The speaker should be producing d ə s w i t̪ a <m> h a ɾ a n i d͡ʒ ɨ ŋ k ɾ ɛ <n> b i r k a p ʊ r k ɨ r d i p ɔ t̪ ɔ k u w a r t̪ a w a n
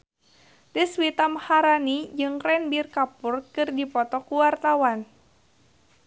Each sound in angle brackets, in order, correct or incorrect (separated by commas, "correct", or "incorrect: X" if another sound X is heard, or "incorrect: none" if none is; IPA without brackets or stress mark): correct, correct